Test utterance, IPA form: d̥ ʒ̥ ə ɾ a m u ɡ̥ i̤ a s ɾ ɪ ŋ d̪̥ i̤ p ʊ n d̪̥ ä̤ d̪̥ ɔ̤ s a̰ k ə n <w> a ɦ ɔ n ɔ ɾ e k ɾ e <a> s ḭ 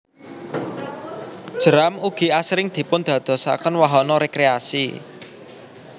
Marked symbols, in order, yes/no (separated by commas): yes, yes